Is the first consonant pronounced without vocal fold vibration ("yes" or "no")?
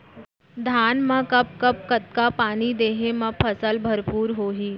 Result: no